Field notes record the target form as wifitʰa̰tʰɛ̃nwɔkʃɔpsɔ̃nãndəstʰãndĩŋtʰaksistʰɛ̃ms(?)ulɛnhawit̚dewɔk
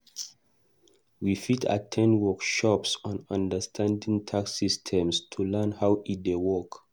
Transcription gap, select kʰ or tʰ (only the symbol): tʰ